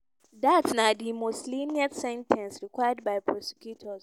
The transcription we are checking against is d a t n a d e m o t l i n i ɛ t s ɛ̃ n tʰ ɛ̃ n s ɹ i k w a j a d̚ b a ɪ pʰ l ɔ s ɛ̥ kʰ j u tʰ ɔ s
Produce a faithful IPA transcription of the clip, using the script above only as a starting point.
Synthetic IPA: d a t n a d i m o s l i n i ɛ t s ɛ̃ n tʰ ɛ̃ n s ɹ i k w a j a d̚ b a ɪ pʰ ɹ ɔ s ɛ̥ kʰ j u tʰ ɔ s